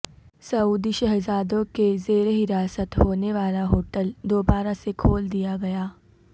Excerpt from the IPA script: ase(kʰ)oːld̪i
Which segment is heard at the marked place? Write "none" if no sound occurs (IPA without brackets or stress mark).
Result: kʰ